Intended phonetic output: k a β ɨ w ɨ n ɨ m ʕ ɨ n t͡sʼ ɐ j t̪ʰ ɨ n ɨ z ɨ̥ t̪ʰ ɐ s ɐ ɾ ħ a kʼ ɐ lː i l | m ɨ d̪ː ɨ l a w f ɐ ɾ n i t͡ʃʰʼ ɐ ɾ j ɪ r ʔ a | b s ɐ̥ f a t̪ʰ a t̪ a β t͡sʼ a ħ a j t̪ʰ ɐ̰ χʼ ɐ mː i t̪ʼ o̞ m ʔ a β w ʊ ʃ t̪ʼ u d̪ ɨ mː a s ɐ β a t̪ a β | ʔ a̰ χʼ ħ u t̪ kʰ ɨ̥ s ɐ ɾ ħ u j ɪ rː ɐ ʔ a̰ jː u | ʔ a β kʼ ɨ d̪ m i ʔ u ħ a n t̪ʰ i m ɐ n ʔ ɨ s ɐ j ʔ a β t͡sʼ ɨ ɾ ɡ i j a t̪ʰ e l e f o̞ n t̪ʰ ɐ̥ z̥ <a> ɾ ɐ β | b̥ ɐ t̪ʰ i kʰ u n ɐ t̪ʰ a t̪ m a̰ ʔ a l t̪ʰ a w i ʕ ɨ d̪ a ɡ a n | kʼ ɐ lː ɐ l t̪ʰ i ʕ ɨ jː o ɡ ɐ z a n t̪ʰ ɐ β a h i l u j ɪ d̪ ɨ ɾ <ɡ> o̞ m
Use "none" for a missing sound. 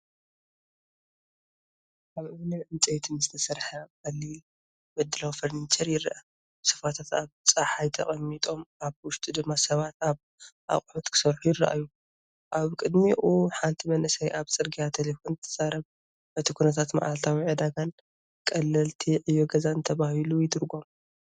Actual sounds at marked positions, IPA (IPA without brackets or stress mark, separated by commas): a, ɡ